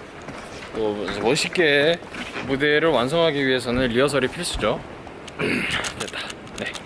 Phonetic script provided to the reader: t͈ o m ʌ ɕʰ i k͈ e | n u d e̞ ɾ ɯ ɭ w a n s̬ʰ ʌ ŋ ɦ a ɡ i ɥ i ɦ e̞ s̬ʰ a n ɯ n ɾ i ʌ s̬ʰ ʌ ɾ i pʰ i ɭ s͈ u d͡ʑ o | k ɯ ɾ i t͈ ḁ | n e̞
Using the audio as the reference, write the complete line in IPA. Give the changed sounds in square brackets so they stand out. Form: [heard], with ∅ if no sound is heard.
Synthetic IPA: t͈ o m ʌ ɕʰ i k͈ e | [m] u d e̞ ɾ ɯ ɭ w a n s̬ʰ ʌ ŋ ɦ a ɡ i ɥ i ɦ e̞ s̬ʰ [ʌ] n ɯ n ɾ i ʌ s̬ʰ ʌ ɾ i pʰ i ɭ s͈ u d͡ʑ o | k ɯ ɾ [e] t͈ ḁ | n e̞